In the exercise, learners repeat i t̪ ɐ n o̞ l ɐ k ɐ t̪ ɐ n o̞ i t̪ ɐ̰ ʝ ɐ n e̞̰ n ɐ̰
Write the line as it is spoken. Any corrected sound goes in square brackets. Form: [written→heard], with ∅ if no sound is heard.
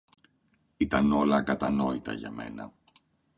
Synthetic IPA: i t̪ ɐ n o̞ l ɐ k ɐ t̪ ɐ n o̞ i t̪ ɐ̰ ʝ ɐ [n→m] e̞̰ n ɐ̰